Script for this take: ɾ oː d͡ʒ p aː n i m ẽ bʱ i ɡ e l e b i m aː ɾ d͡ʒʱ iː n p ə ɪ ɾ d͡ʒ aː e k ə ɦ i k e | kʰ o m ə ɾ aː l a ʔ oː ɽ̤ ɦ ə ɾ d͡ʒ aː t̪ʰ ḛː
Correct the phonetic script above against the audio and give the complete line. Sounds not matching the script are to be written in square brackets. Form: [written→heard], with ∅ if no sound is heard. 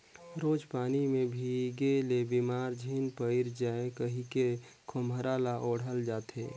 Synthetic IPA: ɾ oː d͡ʒ p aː n i m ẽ bʱ i ɡ e l e b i m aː ɾ d͡ʒʱ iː n p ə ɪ ɾ d͡ʒ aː e k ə ɦ i k e | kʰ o m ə ɾ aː l a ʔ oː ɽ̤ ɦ ə [ɾ→l] d͡ʒ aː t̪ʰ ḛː